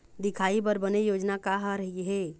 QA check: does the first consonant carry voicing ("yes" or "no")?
yes